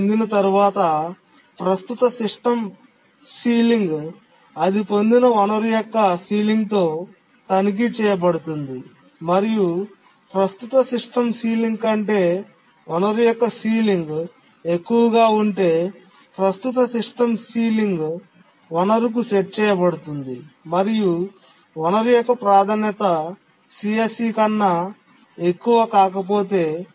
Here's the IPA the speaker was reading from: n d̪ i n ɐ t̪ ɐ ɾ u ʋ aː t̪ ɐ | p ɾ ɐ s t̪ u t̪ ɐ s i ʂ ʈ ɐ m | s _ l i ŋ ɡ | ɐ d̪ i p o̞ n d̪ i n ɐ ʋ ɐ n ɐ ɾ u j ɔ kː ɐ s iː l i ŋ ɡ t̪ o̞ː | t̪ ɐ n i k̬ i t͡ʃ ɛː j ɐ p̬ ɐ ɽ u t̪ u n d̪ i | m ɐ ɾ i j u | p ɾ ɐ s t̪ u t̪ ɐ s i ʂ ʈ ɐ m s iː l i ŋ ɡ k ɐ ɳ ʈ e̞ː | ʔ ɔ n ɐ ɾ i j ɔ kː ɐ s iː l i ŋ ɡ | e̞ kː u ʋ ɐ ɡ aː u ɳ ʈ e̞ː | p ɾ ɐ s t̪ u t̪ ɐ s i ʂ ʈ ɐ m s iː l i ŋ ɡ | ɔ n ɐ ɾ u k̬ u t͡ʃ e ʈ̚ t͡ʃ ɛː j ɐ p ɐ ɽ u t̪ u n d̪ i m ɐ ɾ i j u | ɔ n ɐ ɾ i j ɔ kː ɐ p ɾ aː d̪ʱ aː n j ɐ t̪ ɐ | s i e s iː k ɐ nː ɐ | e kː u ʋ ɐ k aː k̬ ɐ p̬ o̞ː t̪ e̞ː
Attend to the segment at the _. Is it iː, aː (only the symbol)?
iː